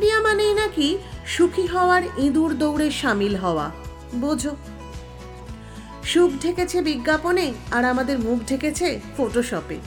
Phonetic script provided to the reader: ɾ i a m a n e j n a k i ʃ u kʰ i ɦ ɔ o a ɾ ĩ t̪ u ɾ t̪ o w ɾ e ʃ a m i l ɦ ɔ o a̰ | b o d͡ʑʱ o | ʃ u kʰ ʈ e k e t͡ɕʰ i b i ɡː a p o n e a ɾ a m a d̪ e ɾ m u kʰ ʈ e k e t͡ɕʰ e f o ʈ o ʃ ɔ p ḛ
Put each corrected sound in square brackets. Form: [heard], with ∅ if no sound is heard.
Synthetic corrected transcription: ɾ i a m a n e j n a k i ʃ u kʰ i ɦ ɔ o a ɾ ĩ [d̪] u ɾ [d̪] o w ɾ e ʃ a m i l ɦ ɔ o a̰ | b o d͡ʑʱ o | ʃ u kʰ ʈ e k e t͡ɕʰ [e] b i ɡː a p o n e a ɾ a m a d̪ e ɾ m u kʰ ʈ e k e t͡ɕʰ e f o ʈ o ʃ ɔ p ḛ